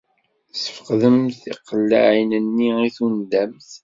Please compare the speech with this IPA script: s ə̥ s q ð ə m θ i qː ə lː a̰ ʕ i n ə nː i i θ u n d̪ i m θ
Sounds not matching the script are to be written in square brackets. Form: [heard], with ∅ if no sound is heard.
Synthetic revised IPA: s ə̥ [f] q ð ə m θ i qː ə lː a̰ ʕ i n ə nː i i θ u n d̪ [æ] m θ